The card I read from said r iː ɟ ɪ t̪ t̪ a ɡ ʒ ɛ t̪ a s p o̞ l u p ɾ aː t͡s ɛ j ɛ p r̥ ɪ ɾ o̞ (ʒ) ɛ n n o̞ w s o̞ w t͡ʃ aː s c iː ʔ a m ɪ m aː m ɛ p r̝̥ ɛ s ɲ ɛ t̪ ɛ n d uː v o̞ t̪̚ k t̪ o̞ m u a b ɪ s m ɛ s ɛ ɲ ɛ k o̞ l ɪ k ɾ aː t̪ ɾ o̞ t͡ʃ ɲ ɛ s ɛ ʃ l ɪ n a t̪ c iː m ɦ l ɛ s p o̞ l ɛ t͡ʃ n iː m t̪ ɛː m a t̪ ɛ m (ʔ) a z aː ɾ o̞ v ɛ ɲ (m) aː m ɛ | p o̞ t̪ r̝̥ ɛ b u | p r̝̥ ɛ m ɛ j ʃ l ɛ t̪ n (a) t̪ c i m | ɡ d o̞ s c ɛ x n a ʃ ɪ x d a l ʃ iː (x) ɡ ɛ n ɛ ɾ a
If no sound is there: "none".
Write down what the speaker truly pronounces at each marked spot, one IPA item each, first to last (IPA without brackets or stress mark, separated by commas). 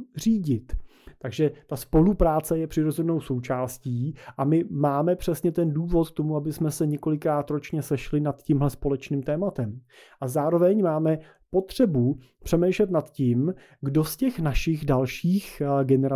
z, ʔ, m, a, x